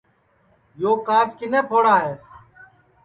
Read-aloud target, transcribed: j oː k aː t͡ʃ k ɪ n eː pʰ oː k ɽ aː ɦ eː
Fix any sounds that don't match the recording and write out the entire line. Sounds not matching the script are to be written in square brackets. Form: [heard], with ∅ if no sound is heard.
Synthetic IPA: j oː k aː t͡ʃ k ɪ n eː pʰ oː [∅] ɽ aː ɦ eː